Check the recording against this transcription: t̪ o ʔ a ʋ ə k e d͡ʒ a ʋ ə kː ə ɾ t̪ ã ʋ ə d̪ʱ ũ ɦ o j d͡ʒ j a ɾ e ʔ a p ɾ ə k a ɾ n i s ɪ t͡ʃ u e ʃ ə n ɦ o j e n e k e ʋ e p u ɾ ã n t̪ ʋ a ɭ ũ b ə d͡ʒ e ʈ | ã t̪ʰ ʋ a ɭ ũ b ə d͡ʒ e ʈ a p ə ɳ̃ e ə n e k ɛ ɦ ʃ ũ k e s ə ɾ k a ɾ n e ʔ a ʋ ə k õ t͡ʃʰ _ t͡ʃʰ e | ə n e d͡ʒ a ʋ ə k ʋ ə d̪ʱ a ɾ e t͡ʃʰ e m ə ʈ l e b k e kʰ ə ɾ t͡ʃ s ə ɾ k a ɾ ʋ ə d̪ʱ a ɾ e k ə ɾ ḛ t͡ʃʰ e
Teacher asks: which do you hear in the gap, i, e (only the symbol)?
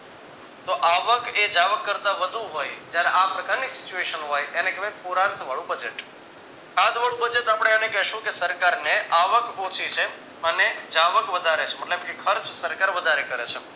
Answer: i